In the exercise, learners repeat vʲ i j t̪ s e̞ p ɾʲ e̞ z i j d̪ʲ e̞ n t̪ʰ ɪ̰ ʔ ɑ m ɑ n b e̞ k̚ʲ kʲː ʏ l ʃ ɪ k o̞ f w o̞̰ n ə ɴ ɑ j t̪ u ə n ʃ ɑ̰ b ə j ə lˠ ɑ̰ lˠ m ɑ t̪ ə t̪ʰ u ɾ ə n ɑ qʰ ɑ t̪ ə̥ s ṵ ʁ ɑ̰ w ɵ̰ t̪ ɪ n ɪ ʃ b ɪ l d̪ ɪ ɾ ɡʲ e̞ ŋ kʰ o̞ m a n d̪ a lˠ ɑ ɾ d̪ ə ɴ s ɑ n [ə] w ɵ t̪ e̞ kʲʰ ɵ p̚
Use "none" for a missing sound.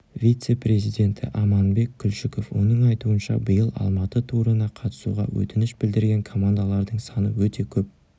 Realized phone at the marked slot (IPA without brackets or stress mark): ə